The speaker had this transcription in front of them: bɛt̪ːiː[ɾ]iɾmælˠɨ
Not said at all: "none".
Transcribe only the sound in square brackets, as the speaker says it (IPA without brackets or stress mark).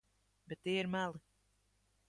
none